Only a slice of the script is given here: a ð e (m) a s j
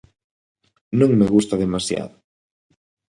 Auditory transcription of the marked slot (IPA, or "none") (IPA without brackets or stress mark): m